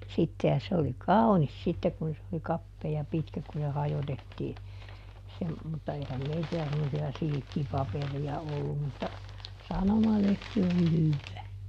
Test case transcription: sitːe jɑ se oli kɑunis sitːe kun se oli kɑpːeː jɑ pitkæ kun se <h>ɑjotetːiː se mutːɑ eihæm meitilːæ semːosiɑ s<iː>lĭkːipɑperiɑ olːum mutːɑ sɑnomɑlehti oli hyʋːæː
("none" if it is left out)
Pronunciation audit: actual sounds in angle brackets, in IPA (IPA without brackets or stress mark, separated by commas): h, i